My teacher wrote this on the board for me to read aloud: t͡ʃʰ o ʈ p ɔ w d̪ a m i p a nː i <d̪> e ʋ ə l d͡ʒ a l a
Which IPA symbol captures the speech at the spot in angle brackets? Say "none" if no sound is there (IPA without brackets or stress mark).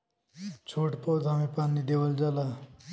d̪